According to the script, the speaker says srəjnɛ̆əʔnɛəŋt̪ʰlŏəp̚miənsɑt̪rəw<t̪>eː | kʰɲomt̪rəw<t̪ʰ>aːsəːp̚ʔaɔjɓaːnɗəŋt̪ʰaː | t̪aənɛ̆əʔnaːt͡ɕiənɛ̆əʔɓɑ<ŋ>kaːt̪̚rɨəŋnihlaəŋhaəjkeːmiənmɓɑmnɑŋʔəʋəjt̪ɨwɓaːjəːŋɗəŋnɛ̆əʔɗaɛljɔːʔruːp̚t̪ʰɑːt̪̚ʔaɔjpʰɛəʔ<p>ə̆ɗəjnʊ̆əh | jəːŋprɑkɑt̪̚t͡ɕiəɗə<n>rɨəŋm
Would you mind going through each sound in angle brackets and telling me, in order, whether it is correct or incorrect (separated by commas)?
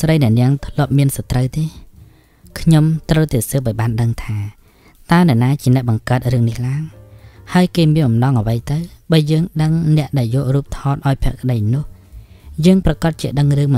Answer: correct, incorrect, correct, incorrect, incorrect